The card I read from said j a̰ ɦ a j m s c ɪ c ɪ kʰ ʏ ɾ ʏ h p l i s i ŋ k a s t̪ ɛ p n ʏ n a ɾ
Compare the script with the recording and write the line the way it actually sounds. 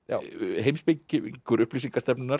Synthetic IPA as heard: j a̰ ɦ e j m s p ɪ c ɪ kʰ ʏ ɾ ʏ h p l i s i ŋ k a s t̪ ɛ p n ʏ n a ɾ